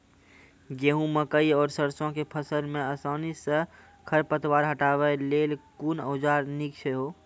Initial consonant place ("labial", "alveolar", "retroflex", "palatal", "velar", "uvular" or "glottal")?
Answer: velar